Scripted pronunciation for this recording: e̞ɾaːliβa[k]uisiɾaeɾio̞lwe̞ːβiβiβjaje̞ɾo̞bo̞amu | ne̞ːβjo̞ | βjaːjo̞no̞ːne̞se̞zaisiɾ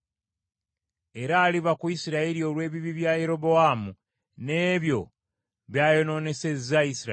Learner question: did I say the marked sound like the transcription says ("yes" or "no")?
yes